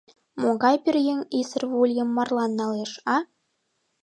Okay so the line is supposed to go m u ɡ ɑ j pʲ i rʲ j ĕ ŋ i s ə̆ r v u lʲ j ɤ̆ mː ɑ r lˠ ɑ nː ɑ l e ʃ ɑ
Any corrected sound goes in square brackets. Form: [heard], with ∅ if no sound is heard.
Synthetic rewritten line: m [o] ɡ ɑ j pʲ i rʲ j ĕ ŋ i s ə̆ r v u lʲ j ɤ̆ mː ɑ r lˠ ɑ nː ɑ l e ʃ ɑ